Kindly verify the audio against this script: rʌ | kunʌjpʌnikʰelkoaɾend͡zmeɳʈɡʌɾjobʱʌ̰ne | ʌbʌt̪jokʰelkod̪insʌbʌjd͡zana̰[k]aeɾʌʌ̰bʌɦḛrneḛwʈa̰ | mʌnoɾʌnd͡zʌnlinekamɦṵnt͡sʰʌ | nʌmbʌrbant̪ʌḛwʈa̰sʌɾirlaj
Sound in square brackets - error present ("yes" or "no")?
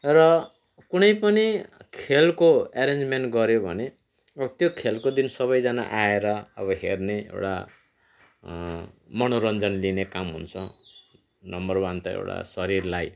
yes